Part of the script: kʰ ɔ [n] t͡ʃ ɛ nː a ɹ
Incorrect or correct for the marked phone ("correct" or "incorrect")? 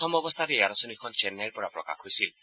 correct